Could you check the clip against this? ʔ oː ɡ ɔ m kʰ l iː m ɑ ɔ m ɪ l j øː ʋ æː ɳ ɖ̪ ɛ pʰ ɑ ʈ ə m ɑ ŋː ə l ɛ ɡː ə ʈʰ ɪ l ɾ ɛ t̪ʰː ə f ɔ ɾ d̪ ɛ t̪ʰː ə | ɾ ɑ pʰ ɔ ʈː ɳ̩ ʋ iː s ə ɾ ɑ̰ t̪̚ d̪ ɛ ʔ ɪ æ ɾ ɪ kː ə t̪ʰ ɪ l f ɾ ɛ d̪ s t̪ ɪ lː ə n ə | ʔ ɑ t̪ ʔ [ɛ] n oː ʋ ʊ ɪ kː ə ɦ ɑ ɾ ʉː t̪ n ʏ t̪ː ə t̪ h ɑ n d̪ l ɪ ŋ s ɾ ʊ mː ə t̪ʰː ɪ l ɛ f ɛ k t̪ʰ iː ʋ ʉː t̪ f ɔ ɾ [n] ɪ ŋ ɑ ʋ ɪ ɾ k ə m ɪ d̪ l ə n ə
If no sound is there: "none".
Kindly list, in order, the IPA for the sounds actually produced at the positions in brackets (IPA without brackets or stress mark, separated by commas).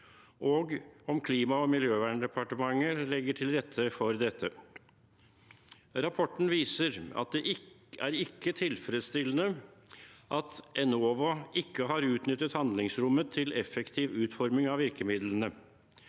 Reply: ɛ, m